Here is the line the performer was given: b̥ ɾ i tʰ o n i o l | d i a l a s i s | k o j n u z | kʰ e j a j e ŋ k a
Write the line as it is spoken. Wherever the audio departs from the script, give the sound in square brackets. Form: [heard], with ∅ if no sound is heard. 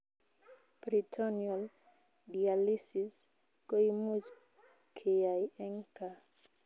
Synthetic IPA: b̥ ɾ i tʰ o n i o l | d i a l [i] s i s | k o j [m] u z | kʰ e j a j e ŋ k a